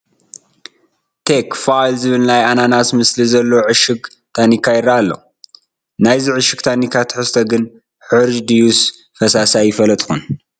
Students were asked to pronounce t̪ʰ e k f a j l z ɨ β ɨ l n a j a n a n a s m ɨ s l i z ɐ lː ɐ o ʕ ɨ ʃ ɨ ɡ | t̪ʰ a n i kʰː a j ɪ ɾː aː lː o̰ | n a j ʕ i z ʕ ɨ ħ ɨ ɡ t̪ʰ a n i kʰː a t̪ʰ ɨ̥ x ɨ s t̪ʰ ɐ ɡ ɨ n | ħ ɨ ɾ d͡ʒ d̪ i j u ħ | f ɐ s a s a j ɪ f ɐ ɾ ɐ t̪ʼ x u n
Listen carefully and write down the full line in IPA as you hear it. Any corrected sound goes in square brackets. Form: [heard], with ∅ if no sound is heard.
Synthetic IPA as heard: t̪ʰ e k f a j l z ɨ β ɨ l n a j a n a n a s m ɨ s l i z ɐ lː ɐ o ʕ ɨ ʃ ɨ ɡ | t̪ʰ a n i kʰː a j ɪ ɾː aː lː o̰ | n a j [z] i [∅] ʕ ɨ [ʃ] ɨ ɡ t̪ʰ a n i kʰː a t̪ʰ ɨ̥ [ħ] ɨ s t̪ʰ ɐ ɡ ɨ n | ħ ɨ ɾ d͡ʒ d̪ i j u [s] | f ɐ s a s a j ɪ f ɐ [l] ɐ t̪ʼ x u n